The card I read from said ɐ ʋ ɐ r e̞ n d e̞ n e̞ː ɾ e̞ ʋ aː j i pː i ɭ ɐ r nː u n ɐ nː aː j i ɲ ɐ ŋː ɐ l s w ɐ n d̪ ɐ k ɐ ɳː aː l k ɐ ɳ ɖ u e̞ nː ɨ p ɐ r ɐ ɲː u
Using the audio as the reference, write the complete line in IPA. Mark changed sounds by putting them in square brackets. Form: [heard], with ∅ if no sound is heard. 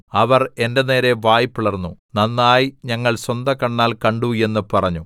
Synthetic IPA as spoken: ɐ ʋ ɐ r e̞ n d e̞ n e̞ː ɾ e̞ ʋ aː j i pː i ɭ ɐ r nː u n ɐ nː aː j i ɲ ɐ ŋː ɐ [ɭ] s w ɐ n d̪ ɐ k ɐ ɳː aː l k ɐ ɳ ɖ u e̞ nː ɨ p ɐ r ɐ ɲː u